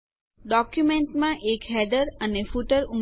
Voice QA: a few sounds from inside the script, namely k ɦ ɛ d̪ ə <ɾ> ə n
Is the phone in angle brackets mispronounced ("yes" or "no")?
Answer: no